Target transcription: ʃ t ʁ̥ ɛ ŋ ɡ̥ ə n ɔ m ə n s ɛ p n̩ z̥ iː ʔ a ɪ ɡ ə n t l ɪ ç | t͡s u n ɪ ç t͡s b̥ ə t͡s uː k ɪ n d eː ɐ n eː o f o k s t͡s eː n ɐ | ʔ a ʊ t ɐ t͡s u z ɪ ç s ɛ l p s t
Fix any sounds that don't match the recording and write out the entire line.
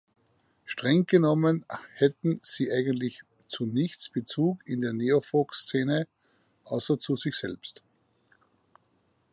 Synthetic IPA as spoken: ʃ t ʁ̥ ɛ ŋ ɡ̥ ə n ɔ m ə n h ɛ t n̩ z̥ iː ʔ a ɪ ɡ ə n t l ɪ ç | t͡s u n ɪ ç t͡s b̥ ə t͡s uː k ɪ n d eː ɐ n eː o f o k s t͡s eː n ə | ʔ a ʊ s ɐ t͡s u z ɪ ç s ɛ l p s t